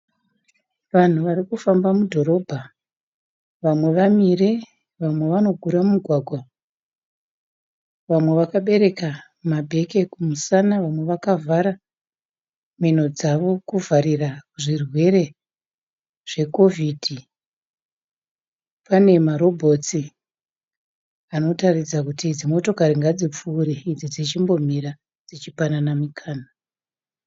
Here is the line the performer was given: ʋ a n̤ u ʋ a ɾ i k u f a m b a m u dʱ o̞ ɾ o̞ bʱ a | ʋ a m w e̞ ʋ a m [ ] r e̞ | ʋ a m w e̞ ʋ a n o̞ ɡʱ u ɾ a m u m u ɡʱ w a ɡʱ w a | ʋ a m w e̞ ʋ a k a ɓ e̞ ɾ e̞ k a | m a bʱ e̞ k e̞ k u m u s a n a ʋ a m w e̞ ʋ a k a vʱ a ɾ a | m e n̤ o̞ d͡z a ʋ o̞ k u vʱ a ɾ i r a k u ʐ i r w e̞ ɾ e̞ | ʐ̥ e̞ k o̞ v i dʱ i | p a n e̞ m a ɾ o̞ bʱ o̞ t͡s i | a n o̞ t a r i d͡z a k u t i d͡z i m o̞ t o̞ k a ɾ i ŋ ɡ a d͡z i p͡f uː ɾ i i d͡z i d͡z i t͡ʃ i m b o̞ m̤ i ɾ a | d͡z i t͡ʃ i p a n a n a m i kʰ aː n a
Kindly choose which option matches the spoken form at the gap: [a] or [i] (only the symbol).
i